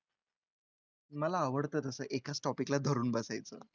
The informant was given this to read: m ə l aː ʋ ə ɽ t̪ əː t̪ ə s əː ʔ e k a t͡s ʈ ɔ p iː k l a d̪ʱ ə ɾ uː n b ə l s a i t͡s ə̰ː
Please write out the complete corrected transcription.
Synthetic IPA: m ə l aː ʋ ə ɽ t̪ əː t̪ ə s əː ʔ e k a t͡s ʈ ɔ p i k l a d̪ʱ ə ɾ uː n b ə s a j t͡s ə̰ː